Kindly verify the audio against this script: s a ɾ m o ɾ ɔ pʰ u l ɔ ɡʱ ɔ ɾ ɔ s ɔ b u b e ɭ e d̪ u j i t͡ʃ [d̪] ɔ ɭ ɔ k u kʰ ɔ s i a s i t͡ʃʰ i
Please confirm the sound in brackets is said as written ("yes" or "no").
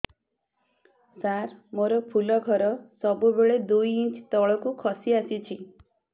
no